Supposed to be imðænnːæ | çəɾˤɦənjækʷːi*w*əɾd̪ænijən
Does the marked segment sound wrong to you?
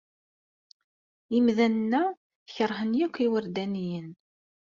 no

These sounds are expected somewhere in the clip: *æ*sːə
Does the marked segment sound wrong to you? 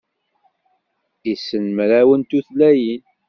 yes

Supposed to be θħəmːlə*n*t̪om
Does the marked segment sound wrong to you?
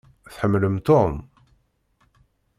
yes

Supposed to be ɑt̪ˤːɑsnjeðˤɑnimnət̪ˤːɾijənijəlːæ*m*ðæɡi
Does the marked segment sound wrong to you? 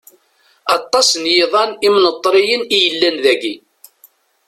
yes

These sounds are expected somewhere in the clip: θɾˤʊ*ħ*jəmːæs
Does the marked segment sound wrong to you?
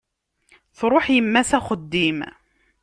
no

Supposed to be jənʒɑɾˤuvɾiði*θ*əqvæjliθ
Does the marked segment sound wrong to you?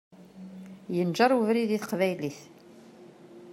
no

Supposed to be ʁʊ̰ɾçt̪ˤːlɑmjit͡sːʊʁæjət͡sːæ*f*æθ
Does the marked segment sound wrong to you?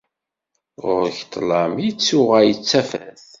no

